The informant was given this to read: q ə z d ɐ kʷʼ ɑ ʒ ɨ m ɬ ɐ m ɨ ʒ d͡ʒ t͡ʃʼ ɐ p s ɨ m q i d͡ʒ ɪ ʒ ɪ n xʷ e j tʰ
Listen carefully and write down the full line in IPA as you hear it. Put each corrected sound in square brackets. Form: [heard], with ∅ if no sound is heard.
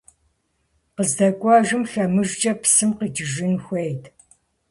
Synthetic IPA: q ə z d ɐ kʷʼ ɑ ʒ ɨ m ɬ ɐ m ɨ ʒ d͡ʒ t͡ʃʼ ɐ p s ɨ m q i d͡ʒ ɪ ʒ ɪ n xʷ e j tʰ